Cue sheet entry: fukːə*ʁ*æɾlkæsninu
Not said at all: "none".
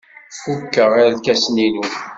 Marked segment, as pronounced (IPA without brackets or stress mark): ʁ